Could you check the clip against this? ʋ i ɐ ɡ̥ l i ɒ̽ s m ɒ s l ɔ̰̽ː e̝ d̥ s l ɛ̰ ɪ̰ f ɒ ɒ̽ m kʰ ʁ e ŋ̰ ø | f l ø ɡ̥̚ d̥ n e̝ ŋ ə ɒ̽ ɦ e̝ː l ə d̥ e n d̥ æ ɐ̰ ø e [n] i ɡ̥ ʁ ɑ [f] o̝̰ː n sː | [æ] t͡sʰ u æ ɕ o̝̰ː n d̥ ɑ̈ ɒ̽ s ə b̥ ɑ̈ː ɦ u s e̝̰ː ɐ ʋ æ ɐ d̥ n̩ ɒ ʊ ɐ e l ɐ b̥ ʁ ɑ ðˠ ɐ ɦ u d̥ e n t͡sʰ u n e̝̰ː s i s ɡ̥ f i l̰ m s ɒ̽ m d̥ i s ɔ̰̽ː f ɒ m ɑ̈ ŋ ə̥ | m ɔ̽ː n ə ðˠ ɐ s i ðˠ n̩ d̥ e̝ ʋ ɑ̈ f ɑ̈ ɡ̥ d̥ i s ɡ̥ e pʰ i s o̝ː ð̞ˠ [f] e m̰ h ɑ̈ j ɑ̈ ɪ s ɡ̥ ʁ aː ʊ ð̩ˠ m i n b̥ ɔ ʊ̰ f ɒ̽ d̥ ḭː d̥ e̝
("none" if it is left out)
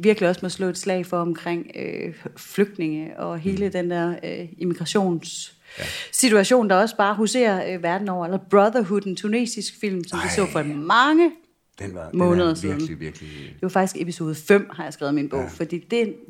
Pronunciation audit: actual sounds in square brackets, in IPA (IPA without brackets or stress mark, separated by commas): m, ɕ, i, f